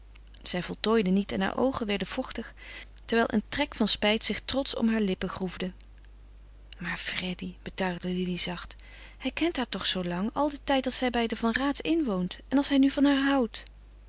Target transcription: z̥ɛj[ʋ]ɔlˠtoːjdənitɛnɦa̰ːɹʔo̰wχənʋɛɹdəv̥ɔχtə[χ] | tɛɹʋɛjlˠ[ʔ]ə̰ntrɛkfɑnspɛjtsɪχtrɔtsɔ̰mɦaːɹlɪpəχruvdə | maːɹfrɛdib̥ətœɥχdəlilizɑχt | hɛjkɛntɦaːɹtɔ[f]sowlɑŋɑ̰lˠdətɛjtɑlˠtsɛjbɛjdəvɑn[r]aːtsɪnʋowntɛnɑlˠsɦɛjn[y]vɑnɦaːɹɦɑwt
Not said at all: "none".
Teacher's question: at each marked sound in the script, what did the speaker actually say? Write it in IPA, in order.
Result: v, χ, ʔ, χ, r, y

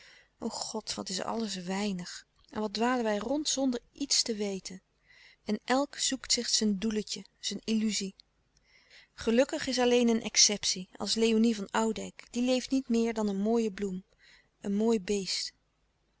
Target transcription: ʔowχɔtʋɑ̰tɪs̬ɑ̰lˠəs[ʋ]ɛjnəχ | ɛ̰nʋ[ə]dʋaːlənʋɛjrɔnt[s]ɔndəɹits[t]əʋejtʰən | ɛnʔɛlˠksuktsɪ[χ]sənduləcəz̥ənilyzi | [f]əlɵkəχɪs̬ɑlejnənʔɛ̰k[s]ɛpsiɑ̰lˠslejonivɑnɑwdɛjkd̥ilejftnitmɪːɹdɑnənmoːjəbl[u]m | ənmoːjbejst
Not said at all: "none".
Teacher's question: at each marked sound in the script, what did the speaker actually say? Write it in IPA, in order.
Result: ʋ, ɑ, s, t, χ, χ, s, u

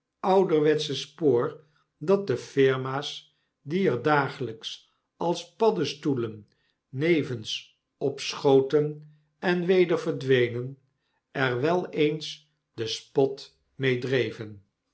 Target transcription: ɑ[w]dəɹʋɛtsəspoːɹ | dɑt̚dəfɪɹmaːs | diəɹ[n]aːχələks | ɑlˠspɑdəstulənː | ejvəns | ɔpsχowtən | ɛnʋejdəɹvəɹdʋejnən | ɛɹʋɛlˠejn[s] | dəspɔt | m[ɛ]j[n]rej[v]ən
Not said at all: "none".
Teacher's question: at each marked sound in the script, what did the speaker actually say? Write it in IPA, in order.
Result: w, d, s, e, d, v

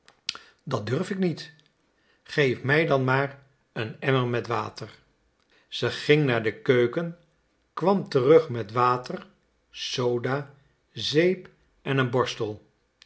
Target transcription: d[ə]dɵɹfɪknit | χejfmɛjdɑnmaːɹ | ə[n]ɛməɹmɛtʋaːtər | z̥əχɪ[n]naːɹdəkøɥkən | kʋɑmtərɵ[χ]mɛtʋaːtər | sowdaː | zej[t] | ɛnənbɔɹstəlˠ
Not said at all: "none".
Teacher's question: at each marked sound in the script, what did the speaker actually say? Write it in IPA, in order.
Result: ɑ, n, ŋ, χ, p

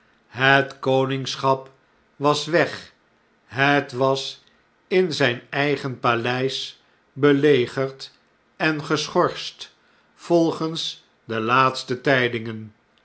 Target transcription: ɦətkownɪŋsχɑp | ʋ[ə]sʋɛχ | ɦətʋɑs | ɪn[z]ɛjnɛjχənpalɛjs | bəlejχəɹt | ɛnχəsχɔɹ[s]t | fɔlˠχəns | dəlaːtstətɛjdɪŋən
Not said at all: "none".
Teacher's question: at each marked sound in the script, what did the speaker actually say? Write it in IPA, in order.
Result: ɑ, z, s

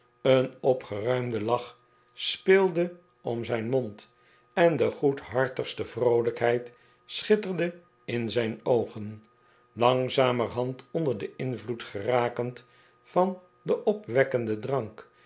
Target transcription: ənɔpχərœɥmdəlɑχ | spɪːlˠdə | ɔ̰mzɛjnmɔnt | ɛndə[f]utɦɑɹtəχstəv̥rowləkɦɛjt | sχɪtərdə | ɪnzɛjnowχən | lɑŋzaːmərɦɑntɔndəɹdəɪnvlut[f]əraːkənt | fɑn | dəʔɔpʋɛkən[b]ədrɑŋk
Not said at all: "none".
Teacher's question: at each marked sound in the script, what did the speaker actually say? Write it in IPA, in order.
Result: χ, χ, d

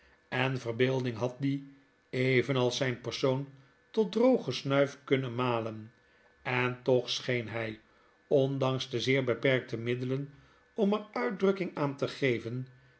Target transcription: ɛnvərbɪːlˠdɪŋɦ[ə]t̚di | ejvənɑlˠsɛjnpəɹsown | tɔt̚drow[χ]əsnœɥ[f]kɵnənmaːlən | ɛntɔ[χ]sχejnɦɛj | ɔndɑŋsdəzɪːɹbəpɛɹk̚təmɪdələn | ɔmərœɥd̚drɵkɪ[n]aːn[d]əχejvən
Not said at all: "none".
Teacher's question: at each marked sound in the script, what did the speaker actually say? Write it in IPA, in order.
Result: ɑ, χ, f, χ, ŋ, t

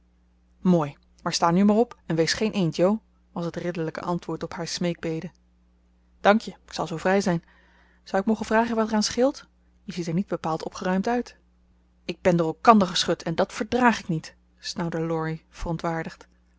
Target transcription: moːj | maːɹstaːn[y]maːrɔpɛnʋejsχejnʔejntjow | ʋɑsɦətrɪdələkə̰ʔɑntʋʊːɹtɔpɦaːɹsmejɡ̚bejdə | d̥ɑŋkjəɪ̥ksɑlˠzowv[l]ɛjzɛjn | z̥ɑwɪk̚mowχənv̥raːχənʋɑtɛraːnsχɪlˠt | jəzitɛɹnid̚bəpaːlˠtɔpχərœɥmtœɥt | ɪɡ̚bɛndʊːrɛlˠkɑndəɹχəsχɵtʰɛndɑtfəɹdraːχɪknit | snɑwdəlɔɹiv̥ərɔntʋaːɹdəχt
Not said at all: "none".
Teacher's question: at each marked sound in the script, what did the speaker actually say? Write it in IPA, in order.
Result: y, r

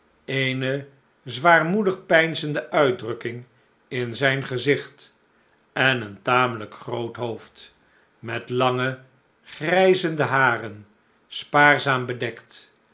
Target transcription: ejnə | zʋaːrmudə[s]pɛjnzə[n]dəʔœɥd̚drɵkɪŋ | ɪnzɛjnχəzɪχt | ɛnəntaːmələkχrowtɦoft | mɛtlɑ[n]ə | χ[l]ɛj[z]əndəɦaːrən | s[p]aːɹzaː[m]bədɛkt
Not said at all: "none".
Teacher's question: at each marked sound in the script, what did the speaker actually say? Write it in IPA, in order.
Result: χ, n, ŋ, r, z, p, m

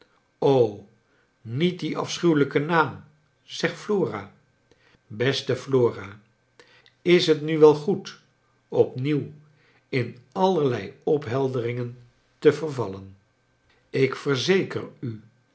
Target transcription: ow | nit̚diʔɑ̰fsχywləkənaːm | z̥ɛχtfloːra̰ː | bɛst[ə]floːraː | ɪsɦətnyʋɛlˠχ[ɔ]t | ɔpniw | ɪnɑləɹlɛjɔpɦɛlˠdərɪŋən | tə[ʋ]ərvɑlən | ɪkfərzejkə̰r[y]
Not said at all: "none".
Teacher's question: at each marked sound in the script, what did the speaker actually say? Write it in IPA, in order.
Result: ə, u, v, y

